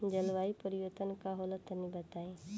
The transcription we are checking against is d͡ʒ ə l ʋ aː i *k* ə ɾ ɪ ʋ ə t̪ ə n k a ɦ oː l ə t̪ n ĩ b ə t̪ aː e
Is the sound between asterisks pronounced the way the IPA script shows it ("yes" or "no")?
no